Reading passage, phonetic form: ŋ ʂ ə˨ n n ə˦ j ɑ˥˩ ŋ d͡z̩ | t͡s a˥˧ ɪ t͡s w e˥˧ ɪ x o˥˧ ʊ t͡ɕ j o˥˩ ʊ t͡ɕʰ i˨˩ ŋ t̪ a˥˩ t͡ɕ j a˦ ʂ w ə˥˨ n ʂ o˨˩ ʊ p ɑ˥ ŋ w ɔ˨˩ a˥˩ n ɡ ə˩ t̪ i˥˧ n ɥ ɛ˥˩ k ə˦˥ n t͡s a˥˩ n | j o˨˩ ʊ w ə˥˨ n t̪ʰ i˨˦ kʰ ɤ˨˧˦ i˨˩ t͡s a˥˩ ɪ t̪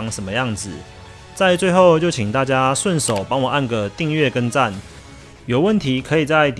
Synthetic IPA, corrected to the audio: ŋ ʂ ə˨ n m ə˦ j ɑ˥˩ ŋ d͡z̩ | t͡s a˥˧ ɪ t͡s w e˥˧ ɪ x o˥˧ ʊ t͡ɕ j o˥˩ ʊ t͡ɕʰ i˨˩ ŋ t̪ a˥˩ t͡ɕ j a˦ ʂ w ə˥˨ n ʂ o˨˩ ʊ p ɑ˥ ŋ w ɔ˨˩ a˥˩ n ɡ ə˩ t̪ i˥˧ ŋ ɥ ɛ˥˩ k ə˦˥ n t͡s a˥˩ n | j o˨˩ ʊ w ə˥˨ n t̪ʰ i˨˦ kʰ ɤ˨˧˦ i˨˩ t͡s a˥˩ ɪ t̪